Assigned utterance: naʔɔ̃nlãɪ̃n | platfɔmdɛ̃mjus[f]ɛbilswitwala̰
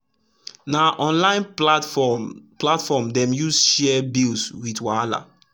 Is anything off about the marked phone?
yes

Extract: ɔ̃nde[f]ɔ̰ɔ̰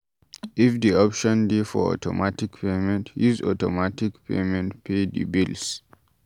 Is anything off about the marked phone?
no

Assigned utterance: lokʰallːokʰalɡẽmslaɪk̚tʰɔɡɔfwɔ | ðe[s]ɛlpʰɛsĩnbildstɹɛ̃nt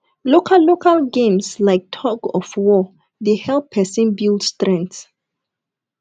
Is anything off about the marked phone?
yes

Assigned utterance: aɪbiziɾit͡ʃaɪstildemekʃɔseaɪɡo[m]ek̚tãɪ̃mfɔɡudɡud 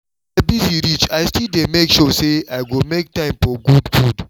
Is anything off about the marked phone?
no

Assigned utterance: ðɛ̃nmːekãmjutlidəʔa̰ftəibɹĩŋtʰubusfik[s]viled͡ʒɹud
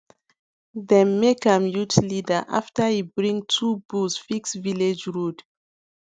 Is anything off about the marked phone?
no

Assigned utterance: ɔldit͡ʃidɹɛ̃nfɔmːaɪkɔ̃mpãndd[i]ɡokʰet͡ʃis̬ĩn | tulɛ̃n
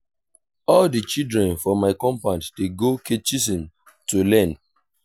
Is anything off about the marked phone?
yes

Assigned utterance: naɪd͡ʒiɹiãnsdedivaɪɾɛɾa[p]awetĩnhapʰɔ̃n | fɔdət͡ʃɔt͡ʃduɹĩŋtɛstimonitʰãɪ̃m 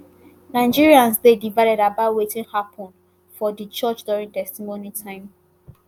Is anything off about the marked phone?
yes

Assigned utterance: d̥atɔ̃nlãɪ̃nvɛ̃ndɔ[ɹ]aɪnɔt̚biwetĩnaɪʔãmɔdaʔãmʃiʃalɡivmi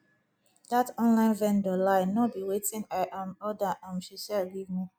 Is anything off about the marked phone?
yes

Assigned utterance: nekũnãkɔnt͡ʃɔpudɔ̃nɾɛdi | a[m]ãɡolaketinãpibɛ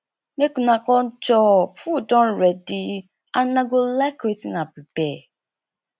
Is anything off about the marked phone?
yes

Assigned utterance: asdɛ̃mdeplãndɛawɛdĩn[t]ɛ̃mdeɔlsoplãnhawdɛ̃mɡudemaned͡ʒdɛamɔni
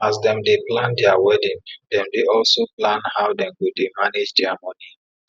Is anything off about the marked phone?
yes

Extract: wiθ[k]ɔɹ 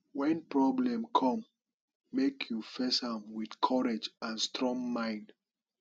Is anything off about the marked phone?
yes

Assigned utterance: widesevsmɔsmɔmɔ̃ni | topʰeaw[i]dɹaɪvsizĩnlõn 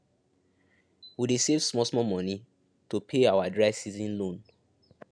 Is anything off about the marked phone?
yes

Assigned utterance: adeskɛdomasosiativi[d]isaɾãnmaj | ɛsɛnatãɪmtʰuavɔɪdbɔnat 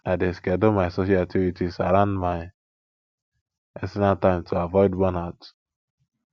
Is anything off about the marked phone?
yes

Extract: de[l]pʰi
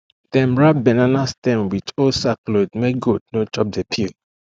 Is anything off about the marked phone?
yes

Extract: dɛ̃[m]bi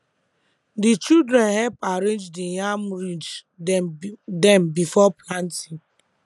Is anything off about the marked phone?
no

